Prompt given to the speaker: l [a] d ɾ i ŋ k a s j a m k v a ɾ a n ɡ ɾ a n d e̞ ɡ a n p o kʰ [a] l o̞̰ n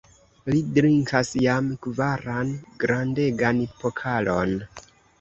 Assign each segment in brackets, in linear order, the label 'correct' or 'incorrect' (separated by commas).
incorrect, correct